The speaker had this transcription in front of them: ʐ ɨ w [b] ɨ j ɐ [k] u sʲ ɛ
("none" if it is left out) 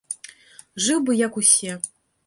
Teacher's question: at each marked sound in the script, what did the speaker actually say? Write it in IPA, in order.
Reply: b, k

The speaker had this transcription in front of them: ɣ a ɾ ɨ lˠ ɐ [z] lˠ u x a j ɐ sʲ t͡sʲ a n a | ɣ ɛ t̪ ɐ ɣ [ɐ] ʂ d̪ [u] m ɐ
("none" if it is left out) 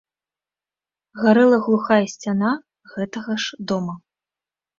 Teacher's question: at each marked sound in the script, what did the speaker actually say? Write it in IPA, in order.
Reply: ɣ, ɐ, ɔ

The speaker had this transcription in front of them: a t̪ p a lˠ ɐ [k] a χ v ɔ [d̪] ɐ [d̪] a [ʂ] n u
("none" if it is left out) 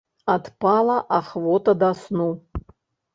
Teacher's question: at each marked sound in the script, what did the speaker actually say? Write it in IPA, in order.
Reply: ʔ, t̪, d̪, s

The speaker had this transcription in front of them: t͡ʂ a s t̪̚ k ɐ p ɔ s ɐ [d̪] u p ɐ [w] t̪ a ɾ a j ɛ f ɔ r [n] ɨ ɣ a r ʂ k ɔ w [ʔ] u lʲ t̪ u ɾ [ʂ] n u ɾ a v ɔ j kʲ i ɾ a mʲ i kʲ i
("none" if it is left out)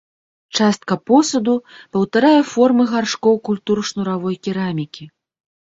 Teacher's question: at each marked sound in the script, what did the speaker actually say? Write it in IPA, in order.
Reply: d̪, w, m, k, ʂ

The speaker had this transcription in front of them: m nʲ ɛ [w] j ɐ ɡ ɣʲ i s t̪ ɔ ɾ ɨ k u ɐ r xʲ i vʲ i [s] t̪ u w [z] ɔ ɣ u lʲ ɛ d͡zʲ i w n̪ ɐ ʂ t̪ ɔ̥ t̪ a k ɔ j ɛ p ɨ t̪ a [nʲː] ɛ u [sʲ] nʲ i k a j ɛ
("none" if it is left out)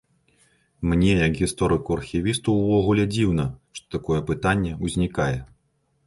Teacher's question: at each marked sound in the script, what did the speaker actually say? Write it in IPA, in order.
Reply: none, s, v, nʲː, zʲ

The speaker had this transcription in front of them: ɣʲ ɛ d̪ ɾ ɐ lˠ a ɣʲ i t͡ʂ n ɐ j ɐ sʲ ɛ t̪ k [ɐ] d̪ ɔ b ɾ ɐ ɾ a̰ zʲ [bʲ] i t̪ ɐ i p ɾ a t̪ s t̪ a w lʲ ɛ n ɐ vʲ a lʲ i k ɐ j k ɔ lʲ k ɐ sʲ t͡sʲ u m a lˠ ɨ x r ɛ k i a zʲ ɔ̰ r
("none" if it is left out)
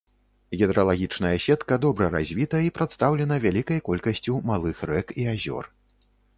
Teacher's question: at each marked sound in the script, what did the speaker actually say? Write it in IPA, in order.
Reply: ɐ, vʲ

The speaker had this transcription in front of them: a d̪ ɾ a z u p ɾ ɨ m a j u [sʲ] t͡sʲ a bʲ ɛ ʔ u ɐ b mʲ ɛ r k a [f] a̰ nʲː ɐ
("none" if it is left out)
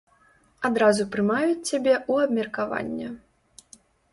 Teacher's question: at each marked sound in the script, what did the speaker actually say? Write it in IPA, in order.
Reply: t͡sʲ, v

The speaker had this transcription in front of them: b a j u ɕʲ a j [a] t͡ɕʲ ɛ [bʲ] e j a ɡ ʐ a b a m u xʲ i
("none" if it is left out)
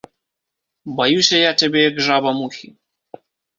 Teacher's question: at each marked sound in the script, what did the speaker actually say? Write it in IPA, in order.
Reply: a, bʲ

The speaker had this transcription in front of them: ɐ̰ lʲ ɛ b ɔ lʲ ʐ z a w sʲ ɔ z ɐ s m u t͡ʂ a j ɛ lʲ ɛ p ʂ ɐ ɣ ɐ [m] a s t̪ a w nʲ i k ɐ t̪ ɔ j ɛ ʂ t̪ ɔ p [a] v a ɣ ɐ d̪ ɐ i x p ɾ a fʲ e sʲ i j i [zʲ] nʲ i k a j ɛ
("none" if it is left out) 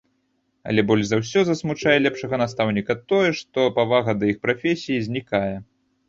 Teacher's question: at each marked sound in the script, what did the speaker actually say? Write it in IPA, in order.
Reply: n, a, zʲ

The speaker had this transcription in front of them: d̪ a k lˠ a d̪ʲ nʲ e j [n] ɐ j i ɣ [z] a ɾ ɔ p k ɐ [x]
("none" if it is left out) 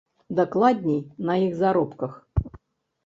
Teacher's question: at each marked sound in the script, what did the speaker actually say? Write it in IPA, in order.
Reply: n, z, x

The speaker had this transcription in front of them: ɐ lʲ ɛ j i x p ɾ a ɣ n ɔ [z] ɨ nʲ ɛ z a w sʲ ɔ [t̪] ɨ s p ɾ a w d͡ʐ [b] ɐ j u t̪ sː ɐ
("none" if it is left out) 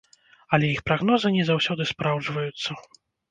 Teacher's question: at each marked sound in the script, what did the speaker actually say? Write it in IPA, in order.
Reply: z, d̪, v

